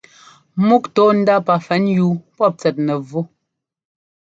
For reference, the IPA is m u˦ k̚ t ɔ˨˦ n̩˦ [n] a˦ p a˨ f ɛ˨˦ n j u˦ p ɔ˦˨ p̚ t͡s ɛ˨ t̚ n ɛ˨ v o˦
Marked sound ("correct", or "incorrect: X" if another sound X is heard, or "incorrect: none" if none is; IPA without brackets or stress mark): incorrect: d